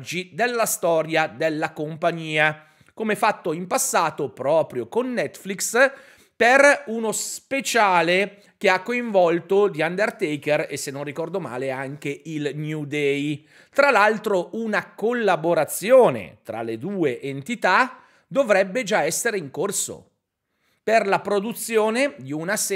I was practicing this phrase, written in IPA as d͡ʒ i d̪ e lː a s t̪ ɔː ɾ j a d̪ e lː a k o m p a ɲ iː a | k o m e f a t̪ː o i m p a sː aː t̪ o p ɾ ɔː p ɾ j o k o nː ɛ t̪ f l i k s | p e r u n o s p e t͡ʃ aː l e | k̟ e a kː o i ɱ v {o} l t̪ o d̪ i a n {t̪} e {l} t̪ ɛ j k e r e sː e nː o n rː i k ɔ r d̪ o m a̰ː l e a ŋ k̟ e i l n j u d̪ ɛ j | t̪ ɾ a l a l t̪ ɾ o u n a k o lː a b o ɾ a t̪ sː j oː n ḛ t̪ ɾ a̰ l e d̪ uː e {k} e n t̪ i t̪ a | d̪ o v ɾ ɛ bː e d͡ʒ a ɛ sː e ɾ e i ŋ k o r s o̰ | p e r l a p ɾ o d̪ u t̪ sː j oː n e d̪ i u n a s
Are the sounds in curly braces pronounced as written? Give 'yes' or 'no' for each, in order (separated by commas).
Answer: no, no, no, no